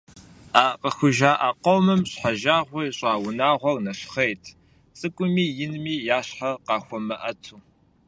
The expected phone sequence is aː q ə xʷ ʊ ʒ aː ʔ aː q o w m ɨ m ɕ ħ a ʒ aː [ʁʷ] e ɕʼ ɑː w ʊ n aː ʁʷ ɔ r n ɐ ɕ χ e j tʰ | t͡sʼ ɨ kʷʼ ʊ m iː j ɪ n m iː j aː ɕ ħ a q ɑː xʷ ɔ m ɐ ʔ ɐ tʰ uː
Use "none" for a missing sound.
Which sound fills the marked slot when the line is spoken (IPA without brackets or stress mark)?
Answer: ʁʷ